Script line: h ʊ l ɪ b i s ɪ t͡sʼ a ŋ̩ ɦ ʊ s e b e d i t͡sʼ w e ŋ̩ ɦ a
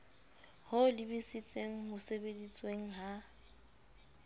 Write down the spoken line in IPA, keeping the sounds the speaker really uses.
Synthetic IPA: h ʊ l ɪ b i s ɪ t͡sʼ e ŋ̩ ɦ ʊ s e b e d i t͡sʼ w e ŋ̩ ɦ a